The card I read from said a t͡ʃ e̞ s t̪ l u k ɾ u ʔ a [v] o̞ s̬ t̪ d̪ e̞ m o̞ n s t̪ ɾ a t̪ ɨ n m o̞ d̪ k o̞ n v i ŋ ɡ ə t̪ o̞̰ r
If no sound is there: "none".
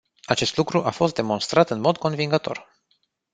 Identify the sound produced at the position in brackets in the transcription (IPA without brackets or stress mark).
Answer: f